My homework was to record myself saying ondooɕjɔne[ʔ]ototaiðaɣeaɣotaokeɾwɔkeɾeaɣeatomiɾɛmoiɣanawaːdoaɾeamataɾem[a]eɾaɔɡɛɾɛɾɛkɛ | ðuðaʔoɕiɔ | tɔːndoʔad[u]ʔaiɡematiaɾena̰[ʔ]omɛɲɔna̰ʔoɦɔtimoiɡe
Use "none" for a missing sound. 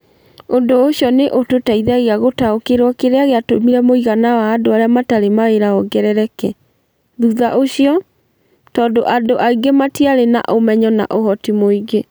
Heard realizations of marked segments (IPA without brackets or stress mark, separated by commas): ʔ, a, o, ʔ